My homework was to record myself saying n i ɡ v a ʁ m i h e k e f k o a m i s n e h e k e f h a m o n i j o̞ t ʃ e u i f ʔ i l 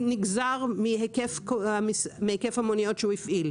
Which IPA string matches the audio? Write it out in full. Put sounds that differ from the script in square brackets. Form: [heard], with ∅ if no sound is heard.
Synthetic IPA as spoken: n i ɡ [z] a ʁ m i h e k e f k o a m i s [m] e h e k e f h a m o n i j o̞ t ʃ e u i f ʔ i l